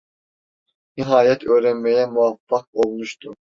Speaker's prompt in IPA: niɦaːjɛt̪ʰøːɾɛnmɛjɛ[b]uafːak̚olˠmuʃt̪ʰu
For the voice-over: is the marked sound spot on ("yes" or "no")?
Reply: no